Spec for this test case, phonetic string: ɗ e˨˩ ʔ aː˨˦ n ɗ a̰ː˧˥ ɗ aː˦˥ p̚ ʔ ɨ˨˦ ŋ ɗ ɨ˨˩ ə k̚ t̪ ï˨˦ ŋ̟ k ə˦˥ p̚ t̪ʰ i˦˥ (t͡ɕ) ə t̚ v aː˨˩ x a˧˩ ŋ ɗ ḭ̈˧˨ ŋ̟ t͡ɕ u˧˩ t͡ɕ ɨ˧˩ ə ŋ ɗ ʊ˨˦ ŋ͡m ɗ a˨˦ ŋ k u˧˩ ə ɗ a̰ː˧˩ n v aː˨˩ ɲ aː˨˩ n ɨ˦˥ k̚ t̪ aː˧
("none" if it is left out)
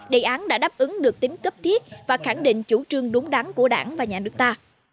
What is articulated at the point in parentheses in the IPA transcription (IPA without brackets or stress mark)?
none